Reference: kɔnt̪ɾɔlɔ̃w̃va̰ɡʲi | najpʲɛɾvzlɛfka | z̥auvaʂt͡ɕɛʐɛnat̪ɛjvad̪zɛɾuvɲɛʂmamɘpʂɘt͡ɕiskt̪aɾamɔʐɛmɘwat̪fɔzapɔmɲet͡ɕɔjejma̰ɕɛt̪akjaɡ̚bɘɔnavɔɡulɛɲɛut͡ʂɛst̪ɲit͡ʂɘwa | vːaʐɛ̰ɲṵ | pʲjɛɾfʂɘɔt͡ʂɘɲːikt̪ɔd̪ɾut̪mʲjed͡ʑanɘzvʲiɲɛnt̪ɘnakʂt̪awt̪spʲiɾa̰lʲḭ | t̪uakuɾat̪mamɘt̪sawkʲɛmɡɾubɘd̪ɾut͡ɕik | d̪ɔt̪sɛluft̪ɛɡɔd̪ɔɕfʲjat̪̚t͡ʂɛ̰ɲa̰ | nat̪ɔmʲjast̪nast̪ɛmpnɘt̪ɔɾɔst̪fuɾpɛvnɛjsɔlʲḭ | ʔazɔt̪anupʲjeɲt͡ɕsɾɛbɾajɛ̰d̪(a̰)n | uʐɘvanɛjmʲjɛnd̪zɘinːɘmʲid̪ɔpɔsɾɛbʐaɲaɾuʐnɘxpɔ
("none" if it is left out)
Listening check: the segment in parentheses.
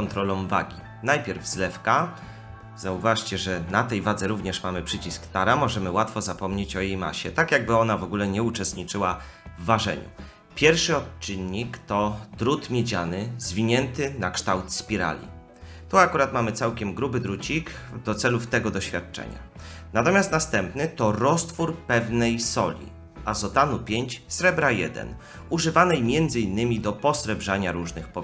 ɛ̰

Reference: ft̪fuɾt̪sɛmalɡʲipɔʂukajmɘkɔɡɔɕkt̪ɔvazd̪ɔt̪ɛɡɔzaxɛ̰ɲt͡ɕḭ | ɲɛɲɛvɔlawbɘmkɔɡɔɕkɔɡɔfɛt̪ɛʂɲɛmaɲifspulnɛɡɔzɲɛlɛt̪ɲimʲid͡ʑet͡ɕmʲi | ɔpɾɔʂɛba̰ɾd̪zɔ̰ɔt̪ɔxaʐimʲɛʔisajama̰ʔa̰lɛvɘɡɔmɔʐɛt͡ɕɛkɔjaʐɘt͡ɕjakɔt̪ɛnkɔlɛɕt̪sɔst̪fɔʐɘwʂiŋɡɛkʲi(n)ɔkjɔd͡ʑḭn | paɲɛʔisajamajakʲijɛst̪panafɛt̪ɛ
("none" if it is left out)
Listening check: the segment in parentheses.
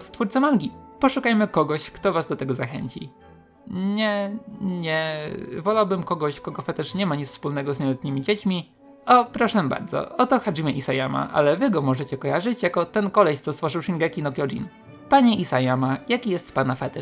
n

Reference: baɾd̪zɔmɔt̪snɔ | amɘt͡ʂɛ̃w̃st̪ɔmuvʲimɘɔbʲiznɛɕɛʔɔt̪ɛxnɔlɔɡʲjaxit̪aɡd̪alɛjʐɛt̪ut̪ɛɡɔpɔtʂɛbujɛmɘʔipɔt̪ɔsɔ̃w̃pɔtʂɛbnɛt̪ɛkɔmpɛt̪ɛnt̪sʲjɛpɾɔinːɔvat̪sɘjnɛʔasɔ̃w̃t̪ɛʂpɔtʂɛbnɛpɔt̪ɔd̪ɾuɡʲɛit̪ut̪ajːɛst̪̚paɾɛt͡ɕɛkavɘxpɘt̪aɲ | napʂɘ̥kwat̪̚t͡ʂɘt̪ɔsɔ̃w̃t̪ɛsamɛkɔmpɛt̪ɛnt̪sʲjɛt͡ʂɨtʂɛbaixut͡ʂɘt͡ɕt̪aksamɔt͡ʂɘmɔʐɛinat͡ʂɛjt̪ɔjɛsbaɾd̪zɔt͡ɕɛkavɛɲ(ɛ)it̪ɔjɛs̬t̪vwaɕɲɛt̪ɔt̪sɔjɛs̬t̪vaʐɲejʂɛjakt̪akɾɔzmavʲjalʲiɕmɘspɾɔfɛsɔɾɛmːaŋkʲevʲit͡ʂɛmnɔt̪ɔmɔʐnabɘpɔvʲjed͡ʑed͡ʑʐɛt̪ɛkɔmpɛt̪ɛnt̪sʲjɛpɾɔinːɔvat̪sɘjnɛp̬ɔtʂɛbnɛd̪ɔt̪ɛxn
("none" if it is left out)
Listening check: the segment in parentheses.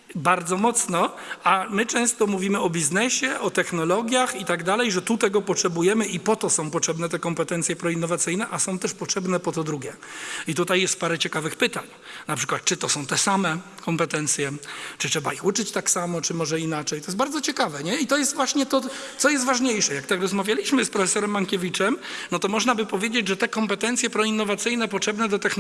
ɛ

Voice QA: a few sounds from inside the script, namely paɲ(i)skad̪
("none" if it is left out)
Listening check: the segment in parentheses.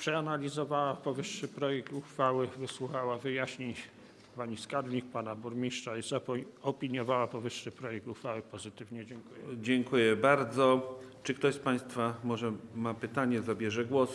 i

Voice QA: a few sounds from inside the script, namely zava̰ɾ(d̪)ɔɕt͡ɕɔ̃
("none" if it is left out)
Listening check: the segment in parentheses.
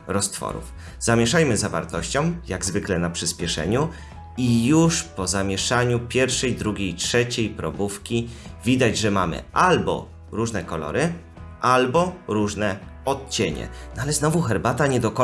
t̪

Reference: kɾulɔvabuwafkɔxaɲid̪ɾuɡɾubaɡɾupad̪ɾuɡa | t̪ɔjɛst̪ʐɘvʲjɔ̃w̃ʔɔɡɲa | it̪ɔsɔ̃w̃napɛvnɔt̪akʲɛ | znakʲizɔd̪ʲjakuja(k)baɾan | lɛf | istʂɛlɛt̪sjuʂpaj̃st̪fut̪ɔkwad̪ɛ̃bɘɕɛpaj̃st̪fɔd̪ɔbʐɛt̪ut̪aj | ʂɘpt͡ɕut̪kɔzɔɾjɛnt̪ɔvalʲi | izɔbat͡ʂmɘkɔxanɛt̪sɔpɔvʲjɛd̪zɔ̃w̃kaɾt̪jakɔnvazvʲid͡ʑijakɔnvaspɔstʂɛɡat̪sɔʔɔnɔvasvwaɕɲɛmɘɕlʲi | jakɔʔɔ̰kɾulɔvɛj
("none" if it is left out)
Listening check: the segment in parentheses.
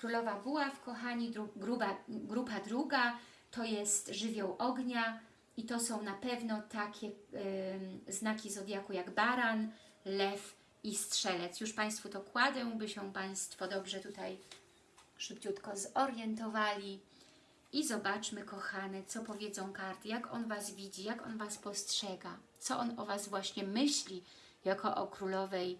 ɡ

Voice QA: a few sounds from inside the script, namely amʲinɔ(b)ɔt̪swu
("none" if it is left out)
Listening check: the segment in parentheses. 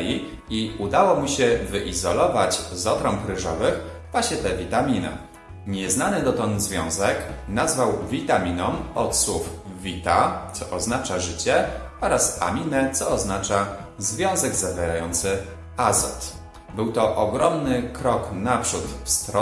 m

